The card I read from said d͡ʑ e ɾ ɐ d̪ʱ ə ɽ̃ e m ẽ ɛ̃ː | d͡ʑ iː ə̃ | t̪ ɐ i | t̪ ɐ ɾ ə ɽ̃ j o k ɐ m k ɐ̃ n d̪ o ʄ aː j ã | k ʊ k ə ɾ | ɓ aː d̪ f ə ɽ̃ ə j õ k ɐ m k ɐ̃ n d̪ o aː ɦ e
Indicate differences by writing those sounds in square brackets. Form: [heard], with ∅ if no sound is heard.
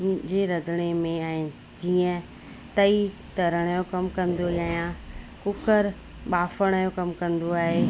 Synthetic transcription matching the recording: d͡ʑ e ɾ ɐ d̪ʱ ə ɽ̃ e m ẽ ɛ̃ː | d͡ʑ iː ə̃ | t̪ ɐ i | t̪ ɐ ɾ ə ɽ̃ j o k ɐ m k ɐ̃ n d̪ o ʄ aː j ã | k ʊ k ə ɾ | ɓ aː [∅] f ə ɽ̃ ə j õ k ɐ m k ɐ̃ n d̪ o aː ɦ e